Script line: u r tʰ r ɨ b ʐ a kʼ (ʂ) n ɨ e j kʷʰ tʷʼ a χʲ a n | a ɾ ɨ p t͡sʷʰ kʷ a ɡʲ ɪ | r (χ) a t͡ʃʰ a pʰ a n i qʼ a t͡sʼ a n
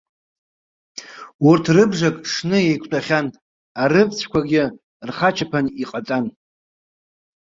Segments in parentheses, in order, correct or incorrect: correct, correct

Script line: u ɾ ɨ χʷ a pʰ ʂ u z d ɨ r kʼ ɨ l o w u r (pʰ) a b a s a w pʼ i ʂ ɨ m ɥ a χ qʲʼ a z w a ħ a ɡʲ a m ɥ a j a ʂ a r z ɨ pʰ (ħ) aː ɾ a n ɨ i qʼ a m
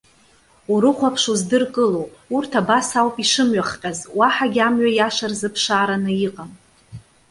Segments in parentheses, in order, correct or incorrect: incorrect, incorrect

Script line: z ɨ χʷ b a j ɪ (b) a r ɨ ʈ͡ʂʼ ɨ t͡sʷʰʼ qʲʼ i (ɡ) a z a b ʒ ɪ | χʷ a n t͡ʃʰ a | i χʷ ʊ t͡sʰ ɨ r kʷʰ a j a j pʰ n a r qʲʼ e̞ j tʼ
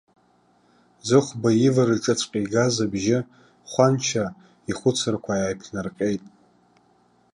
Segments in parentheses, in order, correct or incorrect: incorrect, correct

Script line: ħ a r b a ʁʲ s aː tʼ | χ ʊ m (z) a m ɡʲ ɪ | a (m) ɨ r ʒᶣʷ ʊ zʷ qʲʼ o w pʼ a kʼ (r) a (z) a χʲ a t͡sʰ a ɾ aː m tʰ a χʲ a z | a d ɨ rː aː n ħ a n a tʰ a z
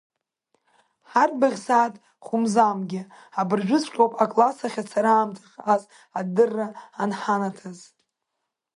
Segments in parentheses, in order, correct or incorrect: correct, incorrect, incorrect, incorrect

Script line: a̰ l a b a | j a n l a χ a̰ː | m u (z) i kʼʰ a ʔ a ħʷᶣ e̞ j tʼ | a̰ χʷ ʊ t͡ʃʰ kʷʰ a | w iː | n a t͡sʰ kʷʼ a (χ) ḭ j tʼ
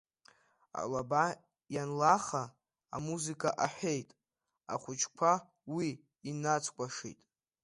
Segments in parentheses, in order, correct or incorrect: correct, incorrect

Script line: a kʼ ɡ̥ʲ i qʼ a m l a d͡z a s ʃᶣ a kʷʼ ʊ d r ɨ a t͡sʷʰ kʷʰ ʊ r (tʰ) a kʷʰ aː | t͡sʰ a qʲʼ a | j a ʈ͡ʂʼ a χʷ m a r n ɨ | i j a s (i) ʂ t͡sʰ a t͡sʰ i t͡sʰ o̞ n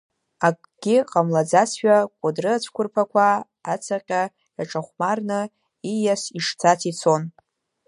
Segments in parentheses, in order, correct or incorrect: incorrect, correct

